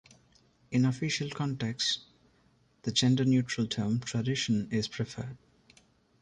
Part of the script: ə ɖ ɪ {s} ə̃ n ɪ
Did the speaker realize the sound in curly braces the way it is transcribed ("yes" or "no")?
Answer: no